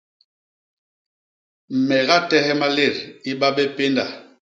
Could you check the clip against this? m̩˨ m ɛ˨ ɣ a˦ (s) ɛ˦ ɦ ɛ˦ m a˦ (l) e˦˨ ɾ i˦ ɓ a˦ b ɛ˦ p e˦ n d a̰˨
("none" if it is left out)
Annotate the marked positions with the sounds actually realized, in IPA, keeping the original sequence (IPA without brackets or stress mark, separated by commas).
t, l